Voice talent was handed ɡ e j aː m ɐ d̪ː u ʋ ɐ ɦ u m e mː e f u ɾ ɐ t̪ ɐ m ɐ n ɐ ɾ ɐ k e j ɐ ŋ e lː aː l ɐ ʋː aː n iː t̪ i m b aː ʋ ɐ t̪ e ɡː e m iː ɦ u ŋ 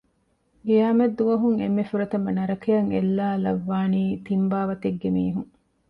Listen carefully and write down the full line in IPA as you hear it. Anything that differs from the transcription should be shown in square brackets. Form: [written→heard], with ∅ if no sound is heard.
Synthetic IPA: ɡ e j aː m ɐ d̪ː u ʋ ɐ ɦ u [m→ŋ] e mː e f u ɾ ɐ t̪ ɐ m ɐ n ɐ ɾ ɐ k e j ɐ ŋ e lː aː l ɐ ʋː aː n iː t̪ i m b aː ʋ ɐ t̪ e ɡː e m iː ɦ u ŋ